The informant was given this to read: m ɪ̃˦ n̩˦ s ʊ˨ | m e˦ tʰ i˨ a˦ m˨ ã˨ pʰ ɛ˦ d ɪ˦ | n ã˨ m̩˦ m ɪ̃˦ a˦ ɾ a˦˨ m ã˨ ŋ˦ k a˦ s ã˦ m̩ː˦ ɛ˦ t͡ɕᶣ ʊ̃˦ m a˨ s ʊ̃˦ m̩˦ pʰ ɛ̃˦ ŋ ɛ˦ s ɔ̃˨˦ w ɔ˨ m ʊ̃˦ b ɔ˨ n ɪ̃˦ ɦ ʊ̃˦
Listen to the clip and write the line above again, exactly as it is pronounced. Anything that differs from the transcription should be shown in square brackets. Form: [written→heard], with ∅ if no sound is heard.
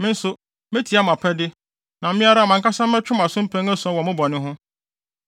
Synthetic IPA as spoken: m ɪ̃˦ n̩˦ s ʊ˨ | m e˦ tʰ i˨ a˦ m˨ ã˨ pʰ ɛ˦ d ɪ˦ | n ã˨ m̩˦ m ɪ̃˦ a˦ ɾ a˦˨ m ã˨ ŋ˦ k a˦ s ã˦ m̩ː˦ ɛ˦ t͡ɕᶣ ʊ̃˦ m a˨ s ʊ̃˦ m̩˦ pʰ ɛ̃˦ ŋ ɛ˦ s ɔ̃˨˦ w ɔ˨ m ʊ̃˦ b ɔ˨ n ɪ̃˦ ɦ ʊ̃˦